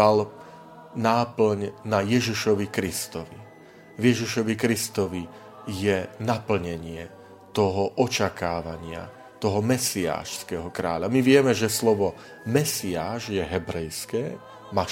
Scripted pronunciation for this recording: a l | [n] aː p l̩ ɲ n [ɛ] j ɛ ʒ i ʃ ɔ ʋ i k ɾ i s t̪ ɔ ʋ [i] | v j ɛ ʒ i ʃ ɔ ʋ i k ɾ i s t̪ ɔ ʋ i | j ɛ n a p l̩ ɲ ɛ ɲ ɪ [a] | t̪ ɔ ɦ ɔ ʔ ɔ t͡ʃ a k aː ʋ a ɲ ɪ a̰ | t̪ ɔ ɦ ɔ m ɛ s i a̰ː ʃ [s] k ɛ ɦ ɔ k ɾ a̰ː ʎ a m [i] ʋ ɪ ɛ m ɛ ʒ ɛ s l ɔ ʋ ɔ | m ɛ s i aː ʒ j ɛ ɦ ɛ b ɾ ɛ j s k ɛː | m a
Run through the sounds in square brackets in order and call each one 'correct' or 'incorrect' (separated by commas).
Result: correct, incorrect, correct, incorrect, correct, correct